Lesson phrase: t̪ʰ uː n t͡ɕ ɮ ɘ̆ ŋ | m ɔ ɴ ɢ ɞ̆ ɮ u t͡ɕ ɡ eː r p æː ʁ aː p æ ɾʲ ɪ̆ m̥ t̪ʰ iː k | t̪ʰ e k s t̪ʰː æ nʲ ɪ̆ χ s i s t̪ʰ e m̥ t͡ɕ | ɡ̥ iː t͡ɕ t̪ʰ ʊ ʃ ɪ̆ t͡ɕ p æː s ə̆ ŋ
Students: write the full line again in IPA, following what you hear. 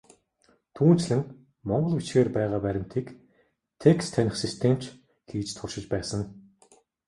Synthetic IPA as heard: t̪ʰ uː n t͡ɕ ɮ ɘ̆ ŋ | m ɔ ɴ ɢ ɞ̆ ɮ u t͡ɕ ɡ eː r p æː ʁ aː p æ ɾʲ ɪ̆ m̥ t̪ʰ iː k | t̪ʰ e k s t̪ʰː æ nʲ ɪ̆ χ s i s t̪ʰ e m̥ t͡ɕ | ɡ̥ iː t͡ɕ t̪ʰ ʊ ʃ ɪ̆ t͡ɕ p æː s ə̆ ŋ